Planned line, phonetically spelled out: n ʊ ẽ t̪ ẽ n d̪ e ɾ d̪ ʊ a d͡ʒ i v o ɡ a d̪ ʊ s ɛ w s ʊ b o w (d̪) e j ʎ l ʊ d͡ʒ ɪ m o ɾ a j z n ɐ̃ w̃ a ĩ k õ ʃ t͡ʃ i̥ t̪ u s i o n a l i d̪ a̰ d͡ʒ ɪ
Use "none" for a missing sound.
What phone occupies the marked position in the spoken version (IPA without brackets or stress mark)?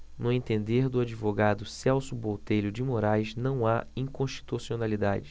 t̪